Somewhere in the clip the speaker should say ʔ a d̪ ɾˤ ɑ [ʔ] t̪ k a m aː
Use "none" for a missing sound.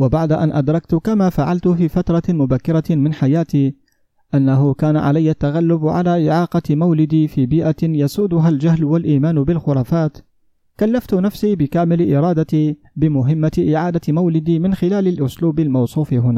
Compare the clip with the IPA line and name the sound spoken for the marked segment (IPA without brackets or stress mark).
k